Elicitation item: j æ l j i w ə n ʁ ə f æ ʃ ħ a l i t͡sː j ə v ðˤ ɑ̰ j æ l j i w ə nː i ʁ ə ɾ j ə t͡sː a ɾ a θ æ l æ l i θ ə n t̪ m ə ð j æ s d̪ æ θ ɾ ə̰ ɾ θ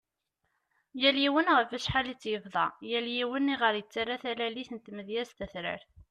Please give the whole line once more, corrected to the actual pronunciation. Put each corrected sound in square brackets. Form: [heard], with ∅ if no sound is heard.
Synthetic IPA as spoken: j æ l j i w ə n ʁ ə f æ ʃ ħ a l i t͡sː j ə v ðˤ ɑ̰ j æ l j i w ə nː i ʁ ə ɾ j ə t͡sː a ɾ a θ æ l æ l i θ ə n t̪ m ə ð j æ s [t̪] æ θ ɾ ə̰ ɾ θ